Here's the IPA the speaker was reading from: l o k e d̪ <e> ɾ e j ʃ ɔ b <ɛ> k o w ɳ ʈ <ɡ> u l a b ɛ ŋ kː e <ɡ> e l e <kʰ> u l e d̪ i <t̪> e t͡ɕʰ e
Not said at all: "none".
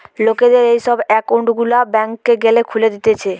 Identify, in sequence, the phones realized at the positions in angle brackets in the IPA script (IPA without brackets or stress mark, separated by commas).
e, ɛ, ɡ, ɡ, kʰ, t̪